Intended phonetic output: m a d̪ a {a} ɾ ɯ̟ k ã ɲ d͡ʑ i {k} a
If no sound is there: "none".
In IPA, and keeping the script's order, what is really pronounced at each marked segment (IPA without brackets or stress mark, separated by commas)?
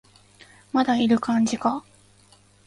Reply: i, k